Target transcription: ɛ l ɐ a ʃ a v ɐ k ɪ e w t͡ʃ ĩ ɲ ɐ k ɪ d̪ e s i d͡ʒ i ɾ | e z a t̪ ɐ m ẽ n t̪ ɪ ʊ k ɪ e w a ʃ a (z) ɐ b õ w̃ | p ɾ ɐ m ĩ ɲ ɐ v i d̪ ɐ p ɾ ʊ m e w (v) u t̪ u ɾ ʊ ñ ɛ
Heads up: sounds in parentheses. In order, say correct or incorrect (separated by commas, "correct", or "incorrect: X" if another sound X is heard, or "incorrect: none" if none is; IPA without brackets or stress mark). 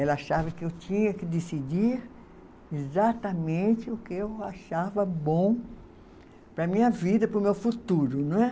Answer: incorrect: v, incorrect: f